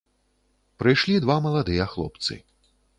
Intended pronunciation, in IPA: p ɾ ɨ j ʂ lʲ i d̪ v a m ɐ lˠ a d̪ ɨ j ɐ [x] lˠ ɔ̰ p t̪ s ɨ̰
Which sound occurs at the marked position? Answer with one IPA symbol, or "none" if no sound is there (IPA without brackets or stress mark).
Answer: x